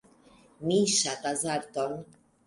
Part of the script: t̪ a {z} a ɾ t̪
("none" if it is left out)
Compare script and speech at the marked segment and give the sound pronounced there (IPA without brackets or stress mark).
z